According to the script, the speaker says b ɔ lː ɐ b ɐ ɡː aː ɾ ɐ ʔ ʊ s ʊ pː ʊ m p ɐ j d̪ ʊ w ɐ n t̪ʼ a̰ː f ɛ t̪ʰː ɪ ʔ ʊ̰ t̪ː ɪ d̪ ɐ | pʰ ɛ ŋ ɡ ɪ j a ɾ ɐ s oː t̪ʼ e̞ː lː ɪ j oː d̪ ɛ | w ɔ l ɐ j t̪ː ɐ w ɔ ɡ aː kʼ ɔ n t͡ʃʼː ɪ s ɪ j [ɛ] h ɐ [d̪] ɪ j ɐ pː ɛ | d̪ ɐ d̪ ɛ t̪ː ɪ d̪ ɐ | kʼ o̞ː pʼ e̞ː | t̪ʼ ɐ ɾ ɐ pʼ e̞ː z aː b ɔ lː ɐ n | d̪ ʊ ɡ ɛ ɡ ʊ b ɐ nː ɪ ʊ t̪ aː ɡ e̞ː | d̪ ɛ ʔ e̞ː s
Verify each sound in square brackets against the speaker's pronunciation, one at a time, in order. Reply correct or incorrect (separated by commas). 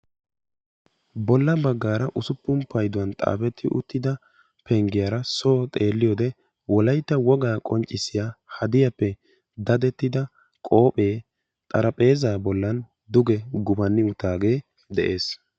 incorrect, correct